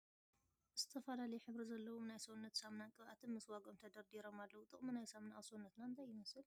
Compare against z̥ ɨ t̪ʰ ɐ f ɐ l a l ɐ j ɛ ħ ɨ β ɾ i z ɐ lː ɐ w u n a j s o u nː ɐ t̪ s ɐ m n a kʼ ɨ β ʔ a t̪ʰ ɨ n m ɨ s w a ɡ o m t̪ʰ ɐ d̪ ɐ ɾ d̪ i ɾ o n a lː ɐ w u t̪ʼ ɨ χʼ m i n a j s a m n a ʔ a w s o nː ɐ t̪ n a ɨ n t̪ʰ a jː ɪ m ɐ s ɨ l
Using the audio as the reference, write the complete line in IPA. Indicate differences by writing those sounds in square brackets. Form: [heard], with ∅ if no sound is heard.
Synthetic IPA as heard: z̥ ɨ t̪ʰ ɐ f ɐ l a l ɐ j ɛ ħ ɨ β ɾ i z ɐ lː ɐ w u n a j s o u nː ɐ t̪ s [a] m n a kʼ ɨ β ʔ a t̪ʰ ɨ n m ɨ s w a ɡ o m t̪ʰ ɐ d̪ ɐ ɾ d̪ i ɾ o [m] a lː ɐ w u t̪ʼ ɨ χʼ m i n a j s a m n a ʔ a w s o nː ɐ t̪ n a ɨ n t̪ʰ a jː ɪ m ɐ s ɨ l